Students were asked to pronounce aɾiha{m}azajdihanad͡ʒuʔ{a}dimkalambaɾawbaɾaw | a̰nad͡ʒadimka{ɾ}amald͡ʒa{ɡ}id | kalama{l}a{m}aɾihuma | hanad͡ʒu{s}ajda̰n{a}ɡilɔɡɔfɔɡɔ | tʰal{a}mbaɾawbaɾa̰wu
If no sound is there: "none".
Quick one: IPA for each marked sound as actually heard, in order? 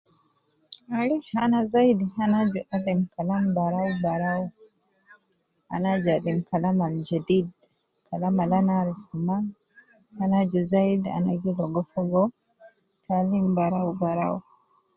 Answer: n, a, l, d, l, n, z, a, i

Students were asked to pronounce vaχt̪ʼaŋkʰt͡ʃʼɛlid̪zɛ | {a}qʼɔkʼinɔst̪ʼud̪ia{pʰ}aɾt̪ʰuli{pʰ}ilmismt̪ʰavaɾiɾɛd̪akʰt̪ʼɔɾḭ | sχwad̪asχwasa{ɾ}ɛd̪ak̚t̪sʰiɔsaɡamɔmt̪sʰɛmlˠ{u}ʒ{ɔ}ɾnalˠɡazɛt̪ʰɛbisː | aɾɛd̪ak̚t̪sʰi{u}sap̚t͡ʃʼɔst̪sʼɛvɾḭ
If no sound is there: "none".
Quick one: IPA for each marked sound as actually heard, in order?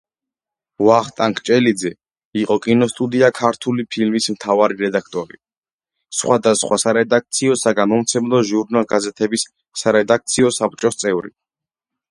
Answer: i, kʰ, pʰ, ɾ, ɔ, u, ɔ

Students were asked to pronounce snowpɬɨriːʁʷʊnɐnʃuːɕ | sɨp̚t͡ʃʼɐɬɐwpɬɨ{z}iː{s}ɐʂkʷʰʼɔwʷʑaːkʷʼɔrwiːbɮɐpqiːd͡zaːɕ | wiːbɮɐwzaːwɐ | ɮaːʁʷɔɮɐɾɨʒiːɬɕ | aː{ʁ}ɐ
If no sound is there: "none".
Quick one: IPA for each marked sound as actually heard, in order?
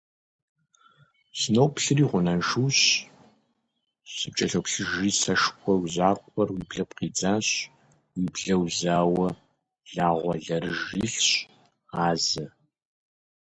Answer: ʒ, s, z

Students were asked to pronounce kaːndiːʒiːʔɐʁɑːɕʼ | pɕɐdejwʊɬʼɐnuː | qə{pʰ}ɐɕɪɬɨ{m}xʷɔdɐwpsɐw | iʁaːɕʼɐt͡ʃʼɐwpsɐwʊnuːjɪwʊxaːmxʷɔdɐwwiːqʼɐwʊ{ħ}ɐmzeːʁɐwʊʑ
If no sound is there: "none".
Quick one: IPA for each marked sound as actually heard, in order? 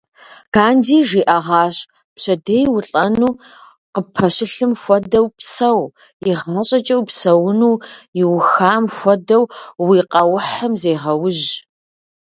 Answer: pʰ, m, ħ

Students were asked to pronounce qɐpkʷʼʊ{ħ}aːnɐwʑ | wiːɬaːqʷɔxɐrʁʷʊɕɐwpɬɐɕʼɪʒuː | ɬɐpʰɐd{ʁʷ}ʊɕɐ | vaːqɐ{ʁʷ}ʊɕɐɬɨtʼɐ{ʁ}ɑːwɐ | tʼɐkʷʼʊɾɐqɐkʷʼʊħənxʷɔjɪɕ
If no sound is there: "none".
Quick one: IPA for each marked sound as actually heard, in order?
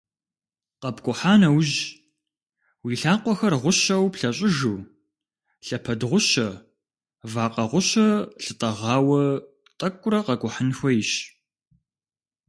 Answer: ħ, ʁʷ, ʁʷ, ʁ

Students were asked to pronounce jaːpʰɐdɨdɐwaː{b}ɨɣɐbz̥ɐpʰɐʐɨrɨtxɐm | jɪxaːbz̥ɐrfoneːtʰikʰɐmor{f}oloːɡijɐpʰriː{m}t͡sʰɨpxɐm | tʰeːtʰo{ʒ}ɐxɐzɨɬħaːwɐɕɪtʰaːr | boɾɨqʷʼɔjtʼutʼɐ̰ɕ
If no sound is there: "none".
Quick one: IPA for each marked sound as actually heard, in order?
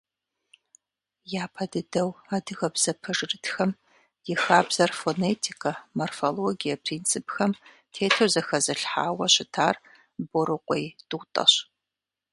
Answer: d, f, n, z

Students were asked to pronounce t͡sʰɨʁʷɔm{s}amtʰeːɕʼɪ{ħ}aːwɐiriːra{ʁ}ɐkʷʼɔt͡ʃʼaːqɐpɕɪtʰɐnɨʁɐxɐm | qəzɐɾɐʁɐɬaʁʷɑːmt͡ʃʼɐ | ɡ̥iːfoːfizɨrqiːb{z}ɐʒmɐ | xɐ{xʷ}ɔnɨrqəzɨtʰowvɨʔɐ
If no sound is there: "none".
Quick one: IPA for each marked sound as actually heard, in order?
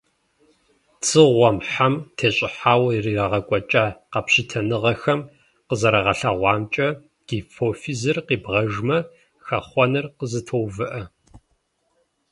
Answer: ħ, ħ, ʁ, ʁ, χʷ

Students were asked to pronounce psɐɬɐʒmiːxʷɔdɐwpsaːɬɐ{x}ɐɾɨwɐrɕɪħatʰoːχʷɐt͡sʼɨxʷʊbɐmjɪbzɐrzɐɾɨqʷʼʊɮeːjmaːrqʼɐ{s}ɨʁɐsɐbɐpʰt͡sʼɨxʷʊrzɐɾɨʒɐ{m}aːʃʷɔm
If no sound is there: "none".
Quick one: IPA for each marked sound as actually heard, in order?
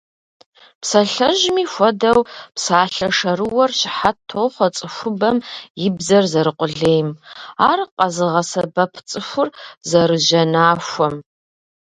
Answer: ʂ, z, n

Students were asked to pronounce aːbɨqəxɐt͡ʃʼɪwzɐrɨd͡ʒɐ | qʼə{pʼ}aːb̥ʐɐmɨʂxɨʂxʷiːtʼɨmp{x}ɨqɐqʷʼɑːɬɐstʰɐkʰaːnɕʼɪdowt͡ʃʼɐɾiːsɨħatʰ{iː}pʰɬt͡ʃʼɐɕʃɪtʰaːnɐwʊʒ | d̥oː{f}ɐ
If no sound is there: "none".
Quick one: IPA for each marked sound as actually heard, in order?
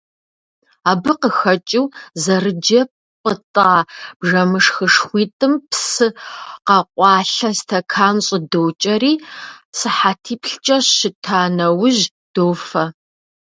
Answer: tʼ, s, iː, f

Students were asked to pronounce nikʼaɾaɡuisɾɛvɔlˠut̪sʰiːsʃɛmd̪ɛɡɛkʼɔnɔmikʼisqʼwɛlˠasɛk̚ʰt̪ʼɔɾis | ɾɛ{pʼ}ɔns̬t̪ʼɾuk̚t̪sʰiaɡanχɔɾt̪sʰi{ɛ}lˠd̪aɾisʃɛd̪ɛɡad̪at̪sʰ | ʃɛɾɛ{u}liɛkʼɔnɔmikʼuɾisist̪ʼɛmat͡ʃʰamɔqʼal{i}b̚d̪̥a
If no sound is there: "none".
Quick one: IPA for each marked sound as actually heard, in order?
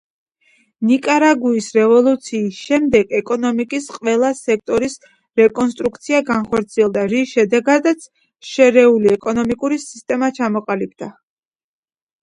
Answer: kʼ, ɛ, u, i

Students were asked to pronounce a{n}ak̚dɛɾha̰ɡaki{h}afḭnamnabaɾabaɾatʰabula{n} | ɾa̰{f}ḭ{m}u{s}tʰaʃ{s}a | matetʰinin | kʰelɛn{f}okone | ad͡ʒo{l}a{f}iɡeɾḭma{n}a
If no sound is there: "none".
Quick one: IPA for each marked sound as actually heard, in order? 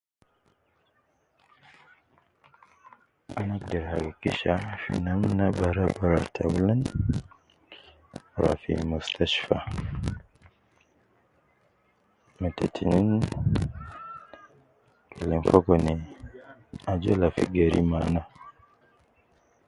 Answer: n, ʃ, n, f, m, s, f, f, l, f, n

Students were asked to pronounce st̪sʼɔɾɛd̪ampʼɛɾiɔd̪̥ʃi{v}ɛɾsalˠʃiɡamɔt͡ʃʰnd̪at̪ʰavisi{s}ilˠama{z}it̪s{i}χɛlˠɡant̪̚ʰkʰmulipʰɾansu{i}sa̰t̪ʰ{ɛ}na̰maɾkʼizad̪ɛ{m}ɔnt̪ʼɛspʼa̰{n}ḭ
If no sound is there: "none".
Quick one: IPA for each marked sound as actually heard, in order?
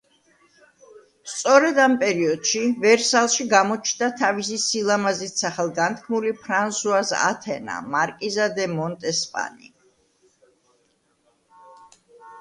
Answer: v, s, z, a, a, ɛ, m, n

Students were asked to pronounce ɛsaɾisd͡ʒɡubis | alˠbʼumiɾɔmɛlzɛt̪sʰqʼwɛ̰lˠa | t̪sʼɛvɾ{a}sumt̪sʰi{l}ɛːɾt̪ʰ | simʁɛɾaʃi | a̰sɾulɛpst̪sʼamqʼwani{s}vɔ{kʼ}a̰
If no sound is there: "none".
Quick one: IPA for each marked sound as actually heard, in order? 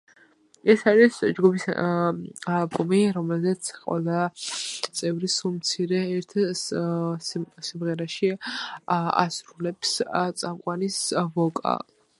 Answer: i, ɾ, s, kʼ

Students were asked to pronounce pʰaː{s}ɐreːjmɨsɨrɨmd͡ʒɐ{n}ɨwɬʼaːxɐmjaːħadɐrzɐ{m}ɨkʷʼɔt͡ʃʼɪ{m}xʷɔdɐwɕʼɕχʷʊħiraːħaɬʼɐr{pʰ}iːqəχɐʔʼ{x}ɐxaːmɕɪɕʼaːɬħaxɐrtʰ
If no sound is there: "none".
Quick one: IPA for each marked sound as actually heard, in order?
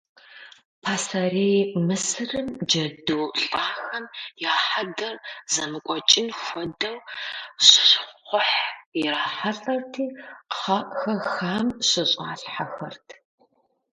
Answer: s, d, m, n, tʰ, x

